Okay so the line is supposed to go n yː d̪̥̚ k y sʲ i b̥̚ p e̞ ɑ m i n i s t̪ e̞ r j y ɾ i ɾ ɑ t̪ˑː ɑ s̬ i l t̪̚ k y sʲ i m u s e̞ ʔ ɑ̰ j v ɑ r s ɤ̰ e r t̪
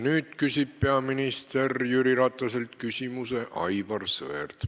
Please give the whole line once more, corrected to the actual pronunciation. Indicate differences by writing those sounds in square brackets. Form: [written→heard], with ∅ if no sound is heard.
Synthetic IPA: n yː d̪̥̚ k y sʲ i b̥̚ p e̞ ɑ m i n i s t̪ e̞ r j y ɾ i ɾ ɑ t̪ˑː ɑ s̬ [i→e] l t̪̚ k y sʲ i m u s e̞ ʔ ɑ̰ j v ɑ r s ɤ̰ e r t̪